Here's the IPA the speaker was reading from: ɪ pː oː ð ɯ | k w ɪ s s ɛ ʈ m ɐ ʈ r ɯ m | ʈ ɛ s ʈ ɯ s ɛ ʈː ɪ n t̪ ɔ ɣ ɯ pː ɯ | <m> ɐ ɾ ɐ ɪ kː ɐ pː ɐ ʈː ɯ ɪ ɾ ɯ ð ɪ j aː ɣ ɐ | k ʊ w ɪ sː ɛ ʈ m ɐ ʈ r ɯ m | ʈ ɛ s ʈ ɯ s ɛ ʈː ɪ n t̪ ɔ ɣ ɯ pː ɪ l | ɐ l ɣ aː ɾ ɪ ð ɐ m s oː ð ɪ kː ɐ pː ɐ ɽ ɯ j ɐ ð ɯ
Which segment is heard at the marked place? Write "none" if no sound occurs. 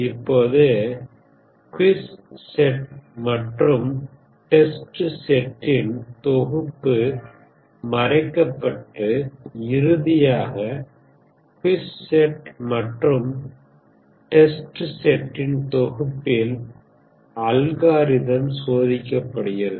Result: m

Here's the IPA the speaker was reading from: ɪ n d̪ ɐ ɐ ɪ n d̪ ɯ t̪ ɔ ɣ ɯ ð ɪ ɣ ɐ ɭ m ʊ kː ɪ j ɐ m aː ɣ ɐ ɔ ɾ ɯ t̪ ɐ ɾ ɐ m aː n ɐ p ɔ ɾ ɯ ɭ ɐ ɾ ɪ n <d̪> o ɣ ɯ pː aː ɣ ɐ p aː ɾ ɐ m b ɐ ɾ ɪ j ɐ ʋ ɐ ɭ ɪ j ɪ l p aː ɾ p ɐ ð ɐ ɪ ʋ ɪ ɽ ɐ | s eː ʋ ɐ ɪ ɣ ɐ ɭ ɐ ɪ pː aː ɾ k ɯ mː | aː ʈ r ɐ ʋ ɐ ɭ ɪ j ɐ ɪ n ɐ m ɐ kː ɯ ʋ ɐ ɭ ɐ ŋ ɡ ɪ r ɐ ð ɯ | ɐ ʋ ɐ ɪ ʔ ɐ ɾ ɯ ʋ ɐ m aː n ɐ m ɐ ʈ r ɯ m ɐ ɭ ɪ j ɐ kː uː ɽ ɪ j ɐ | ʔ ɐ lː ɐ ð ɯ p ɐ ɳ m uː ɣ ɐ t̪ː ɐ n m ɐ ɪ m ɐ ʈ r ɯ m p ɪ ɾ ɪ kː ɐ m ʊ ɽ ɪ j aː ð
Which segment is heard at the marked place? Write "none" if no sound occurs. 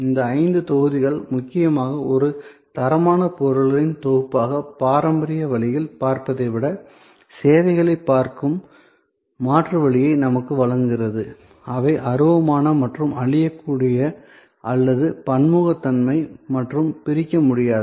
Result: t̪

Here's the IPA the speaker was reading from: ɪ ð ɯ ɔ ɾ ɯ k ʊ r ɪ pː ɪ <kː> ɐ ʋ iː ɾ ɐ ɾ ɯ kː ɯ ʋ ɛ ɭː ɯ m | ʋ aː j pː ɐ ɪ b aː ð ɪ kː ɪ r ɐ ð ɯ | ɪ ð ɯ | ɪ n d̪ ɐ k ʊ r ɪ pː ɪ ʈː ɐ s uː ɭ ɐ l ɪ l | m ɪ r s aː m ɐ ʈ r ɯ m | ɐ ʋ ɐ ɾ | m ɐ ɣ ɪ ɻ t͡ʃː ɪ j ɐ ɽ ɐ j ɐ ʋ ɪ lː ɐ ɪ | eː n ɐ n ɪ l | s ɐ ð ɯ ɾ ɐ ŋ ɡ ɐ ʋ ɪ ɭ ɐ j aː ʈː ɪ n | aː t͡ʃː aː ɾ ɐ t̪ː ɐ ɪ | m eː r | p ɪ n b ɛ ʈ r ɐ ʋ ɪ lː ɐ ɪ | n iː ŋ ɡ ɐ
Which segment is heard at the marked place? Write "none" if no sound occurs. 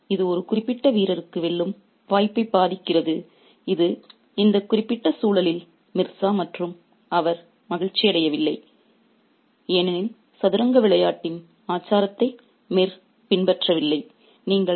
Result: ʈː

